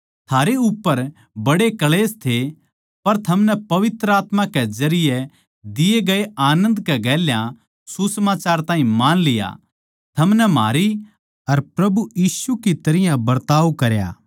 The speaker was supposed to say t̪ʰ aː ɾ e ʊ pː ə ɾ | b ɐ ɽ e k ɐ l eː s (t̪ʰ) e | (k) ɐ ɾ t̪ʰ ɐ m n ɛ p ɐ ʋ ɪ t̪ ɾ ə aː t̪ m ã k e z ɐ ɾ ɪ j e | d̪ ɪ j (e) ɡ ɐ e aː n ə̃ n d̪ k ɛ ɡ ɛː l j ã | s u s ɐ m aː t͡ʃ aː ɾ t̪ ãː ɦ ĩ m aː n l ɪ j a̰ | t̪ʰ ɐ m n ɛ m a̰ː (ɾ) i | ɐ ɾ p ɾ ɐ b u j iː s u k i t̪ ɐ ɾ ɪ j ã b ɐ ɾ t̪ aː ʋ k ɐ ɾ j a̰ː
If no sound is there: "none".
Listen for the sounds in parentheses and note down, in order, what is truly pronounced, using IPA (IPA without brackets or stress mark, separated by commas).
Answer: t̪ʰ, p, e, ɾ